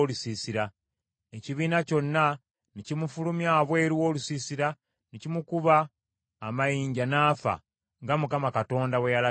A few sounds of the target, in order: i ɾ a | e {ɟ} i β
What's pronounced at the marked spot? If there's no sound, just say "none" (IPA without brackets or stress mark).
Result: c